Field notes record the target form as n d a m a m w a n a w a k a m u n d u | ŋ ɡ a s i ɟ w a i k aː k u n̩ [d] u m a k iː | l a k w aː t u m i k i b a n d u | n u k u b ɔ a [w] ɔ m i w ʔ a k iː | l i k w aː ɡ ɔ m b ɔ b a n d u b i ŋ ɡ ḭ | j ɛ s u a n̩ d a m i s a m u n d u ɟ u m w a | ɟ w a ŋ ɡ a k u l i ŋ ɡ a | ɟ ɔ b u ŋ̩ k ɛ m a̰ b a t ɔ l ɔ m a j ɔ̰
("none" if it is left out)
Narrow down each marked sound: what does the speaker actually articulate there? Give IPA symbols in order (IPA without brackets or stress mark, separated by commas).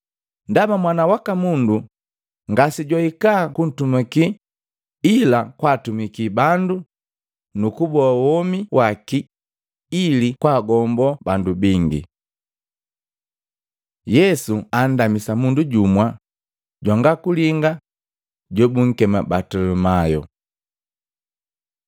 t, w